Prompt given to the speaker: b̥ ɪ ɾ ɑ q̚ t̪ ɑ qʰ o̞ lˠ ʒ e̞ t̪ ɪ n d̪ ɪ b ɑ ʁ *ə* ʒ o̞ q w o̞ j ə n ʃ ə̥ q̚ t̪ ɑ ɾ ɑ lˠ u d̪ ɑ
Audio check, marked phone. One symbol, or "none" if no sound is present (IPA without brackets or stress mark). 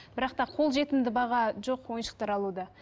ɑ